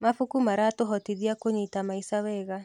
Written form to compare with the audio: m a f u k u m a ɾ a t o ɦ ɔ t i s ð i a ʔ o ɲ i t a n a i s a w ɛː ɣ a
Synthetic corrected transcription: m a f u k u m a ɾ a t o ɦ ɔ t i ð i a k o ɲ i t a m a i s a w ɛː ɣ a